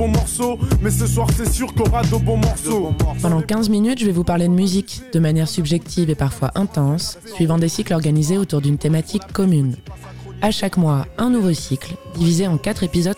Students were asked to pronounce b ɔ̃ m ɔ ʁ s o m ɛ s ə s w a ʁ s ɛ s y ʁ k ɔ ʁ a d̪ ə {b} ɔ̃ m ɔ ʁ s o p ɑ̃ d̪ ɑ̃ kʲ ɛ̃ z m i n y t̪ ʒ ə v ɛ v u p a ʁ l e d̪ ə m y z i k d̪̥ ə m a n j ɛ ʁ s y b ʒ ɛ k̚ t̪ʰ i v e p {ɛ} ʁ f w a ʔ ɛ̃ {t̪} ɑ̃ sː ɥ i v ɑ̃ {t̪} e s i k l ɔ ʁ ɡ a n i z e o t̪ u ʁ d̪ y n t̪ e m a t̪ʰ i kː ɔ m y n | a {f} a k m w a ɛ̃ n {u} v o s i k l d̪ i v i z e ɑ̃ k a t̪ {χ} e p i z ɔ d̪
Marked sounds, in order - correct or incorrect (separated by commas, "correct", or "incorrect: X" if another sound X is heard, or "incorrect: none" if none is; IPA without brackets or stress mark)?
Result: correct, incorrect: a, correct, incorrect: d̪, incorrect: ʃ, correct, correct